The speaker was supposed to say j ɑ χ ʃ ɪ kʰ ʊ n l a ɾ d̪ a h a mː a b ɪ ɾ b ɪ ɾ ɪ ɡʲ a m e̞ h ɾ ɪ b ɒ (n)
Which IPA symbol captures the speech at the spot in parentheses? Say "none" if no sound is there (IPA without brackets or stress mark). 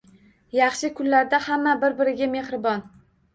n